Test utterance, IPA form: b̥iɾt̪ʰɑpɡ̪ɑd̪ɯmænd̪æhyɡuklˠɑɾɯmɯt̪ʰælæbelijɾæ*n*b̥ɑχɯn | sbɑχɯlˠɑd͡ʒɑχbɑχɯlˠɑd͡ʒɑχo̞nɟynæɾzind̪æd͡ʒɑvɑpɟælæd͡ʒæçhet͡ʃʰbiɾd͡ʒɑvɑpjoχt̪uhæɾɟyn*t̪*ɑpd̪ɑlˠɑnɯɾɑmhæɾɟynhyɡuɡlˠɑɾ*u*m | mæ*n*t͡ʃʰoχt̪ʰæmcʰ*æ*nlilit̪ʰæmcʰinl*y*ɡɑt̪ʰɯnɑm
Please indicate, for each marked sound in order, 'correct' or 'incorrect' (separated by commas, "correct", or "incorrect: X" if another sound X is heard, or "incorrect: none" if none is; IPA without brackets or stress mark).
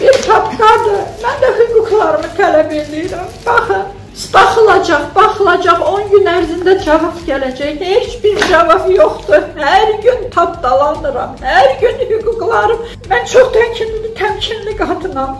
incorrect: m, incorrect: t̪ʰ, incorrect: ɯ, correct, incorrect: i, incorrect: i